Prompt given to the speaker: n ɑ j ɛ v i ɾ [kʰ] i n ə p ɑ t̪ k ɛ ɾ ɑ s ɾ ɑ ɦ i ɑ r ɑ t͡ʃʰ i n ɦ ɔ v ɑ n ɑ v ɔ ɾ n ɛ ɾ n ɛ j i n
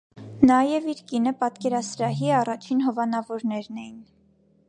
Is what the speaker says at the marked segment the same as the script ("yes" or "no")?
no